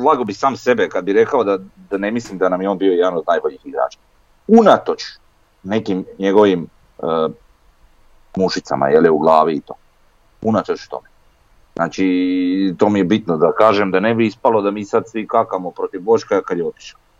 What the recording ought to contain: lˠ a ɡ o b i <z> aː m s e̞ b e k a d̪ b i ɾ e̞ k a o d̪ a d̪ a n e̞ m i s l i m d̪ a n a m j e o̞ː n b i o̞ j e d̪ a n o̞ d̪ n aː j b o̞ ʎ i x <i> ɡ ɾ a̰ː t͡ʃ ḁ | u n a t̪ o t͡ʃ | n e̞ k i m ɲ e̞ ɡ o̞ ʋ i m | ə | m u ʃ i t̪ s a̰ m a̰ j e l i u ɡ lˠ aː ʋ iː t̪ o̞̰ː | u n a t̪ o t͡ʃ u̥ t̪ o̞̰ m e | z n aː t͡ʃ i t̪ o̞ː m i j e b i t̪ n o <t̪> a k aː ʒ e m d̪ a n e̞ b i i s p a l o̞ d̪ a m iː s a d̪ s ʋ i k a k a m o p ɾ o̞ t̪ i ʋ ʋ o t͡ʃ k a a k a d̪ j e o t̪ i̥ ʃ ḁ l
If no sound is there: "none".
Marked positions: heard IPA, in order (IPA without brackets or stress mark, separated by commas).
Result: s, i, d̪